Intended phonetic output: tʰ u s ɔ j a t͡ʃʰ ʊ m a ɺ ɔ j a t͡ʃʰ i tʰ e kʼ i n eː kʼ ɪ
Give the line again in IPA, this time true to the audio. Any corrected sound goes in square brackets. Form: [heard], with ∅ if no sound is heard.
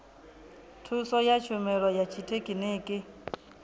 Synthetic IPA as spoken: tʰ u s ɔ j a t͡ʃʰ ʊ m [ɛ] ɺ ɔ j a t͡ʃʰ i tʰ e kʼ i n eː kʼ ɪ

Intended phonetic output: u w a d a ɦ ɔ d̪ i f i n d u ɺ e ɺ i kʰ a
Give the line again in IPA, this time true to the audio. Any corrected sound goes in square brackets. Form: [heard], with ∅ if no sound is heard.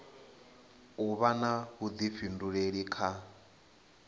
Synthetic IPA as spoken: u [β] a [n] a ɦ [u] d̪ i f i n d u ɺ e ɺ i kʰ a

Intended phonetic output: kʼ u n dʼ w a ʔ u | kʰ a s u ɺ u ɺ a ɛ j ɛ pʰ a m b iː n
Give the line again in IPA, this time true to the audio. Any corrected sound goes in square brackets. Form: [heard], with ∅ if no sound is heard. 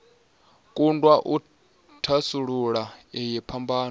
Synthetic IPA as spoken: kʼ u n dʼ w a ʔ u | [tʰ] a s u ɺ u ɺ a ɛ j ɛ pʰ a m b [aː] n

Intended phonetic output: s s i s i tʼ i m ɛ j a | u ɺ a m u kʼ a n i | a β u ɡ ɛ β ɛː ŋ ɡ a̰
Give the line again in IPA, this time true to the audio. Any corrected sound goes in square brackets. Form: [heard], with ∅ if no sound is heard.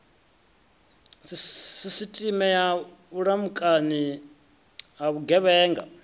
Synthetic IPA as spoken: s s i s i tʼ i m ɛ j a | u ɺ a m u kʼ a n i | a β u ɡ ɛ β ɛː ŋ ɡ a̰

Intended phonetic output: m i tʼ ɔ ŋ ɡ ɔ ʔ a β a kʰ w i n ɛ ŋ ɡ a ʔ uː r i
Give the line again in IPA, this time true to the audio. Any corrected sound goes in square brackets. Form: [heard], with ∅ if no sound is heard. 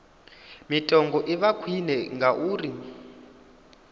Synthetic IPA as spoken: m i tʼ ɔ ŋ ɡ ɔ ʔ [i] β a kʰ w i n ɛ ŋ ɡ a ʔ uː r i

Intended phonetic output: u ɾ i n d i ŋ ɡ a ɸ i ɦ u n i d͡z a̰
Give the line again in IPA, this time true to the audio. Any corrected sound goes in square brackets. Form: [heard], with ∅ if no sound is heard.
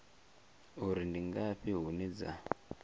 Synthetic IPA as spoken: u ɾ i n d i ŋ ɡ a ɸ i ɦ u n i d͡z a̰

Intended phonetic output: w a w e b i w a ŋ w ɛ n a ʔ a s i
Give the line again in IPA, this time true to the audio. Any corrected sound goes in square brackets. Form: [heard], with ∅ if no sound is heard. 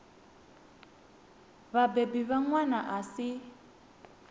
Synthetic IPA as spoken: [β] a [b] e b i [β] a ŋ w [a] n a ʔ a s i

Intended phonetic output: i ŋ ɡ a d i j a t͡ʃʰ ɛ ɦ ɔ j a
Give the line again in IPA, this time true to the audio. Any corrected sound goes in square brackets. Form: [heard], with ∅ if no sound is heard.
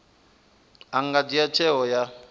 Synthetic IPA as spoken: [a] ŋ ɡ a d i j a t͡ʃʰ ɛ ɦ ɔ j a

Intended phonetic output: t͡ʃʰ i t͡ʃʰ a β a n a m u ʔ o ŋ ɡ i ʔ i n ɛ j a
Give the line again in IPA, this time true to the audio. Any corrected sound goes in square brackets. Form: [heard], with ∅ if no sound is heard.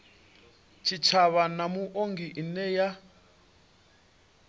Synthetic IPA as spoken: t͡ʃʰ i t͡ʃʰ a β a n a m u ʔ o ŋ ɡ i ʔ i n ɛ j a

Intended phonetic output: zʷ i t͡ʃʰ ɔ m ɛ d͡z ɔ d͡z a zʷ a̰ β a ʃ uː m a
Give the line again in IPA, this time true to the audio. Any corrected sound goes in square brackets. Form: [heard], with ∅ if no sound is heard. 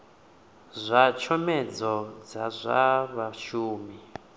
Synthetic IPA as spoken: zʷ [a] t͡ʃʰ ɔ m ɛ d͡z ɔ d͡z a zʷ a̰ β a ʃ uː m [i]

